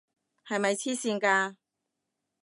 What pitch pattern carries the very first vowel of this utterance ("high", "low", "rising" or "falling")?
low